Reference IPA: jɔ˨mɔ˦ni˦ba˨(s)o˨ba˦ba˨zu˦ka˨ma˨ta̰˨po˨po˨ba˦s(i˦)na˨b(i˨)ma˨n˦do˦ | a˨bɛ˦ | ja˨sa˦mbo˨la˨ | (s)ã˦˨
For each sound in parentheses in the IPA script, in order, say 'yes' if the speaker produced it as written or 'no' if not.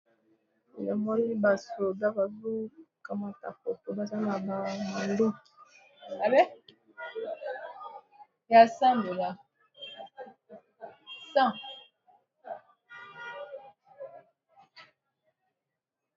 yes, no, no, yes

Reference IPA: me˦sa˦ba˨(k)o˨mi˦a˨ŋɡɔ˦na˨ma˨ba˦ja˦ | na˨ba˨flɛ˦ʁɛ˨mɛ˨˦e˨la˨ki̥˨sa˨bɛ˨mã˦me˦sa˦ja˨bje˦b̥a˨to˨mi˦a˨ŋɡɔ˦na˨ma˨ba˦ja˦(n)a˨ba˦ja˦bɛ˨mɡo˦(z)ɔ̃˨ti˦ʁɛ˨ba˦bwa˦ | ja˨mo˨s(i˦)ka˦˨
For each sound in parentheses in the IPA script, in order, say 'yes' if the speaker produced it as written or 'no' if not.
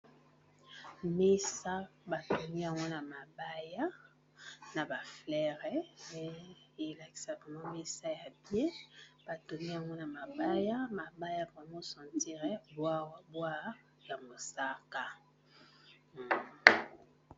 no, no, no, no

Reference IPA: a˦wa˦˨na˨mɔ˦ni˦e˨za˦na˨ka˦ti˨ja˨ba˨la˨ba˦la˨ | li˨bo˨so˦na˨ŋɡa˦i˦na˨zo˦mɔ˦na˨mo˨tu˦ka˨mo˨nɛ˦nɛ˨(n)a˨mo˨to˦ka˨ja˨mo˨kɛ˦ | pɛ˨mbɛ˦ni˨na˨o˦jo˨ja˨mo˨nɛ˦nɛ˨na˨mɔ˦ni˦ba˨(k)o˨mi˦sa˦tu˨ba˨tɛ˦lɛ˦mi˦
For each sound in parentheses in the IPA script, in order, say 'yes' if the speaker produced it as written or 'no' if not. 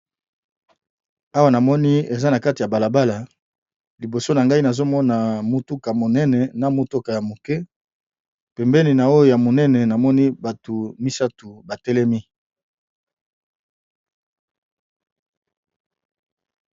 yes, no

